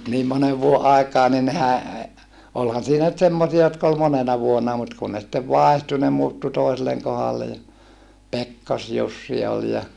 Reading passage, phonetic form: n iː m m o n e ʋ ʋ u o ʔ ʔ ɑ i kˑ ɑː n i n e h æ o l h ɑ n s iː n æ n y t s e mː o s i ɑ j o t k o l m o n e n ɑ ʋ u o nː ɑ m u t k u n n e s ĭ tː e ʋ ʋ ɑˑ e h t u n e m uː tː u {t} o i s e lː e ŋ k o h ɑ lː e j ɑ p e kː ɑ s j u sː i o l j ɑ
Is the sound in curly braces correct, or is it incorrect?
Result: correct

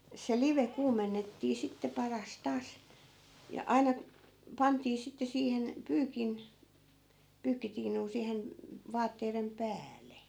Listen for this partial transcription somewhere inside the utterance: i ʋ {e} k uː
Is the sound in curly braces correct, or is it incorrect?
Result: correct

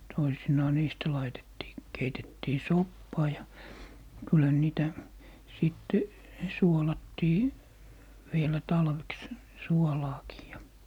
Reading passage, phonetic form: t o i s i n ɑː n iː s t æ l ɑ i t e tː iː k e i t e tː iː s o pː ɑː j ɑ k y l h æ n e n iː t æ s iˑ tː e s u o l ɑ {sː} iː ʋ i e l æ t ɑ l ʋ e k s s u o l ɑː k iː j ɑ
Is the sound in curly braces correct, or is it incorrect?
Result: incorrect: tː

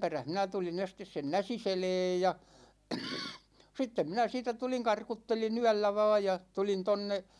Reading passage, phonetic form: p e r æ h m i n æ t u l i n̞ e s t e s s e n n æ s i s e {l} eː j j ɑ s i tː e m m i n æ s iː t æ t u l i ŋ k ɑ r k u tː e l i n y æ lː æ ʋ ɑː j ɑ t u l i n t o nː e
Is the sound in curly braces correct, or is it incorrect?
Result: correct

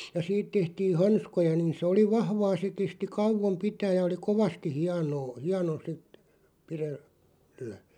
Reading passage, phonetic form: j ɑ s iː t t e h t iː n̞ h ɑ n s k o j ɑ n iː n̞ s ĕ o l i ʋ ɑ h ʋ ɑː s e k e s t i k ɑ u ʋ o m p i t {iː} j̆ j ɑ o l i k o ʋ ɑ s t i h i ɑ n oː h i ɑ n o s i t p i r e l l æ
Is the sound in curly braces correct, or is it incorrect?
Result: incorrect: æː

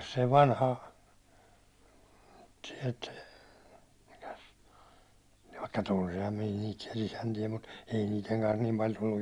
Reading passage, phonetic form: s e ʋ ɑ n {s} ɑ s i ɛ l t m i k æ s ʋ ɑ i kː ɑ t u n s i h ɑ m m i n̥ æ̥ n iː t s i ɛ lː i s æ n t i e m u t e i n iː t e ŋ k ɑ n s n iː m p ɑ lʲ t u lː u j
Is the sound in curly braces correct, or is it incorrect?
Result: incorrect: h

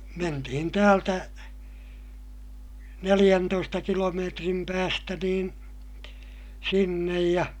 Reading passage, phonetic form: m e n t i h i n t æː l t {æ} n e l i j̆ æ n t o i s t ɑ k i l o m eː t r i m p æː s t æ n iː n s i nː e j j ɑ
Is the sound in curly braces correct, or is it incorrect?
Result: correct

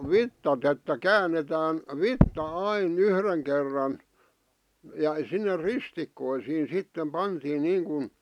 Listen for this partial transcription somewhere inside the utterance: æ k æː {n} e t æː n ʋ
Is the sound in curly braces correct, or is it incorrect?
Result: incorrect: nː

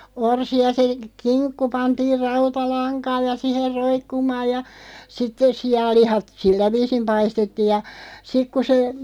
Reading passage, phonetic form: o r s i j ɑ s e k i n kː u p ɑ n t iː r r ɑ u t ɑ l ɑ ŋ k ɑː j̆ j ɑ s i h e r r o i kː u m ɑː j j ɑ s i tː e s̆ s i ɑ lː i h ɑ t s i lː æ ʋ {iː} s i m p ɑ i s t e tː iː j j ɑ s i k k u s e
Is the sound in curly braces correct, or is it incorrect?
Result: correct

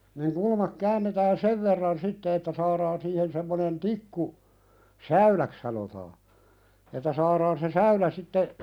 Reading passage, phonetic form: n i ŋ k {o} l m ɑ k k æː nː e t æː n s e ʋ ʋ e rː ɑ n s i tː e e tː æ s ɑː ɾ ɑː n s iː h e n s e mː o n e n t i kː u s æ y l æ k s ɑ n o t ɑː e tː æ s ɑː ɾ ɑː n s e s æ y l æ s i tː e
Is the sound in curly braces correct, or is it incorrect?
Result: incorrect: u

